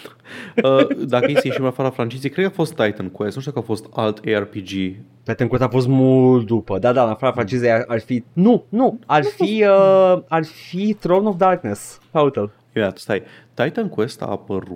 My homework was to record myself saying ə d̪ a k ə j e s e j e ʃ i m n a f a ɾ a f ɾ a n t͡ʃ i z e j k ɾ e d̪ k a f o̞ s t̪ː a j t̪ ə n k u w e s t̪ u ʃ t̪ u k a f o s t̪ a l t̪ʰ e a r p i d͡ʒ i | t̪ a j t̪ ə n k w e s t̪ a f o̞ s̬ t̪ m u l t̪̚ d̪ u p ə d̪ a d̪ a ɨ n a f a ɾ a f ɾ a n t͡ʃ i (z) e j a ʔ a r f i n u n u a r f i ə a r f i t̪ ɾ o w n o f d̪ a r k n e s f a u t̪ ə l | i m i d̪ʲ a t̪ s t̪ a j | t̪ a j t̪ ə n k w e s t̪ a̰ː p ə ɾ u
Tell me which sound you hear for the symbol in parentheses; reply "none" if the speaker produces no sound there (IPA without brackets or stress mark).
z